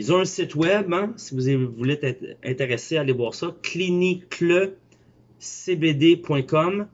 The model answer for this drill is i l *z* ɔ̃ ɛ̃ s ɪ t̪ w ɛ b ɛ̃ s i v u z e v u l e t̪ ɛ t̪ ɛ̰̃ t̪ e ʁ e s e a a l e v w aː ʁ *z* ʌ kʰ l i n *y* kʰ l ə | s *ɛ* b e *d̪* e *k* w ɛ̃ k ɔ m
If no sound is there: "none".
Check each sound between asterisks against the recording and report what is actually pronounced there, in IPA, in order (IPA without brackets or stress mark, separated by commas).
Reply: z, s, i, e, d̪, p